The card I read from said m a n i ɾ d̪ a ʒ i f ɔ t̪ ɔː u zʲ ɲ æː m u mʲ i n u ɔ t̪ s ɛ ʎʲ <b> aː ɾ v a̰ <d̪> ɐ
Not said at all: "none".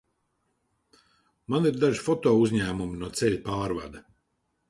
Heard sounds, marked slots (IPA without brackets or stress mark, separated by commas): p, d̪